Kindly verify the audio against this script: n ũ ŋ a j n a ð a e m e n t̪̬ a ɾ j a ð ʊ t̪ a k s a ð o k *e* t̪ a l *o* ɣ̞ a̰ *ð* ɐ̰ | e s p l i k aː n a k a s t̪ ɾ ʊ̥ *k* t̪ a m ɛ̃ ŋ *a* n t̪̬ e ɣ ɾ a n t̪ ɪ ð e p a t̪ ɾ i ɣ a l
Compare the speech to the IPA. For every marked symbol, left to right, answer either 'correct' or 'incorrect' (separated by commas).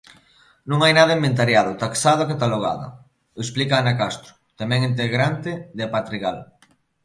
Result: incorrect, correct, correct, incorrect, incorrect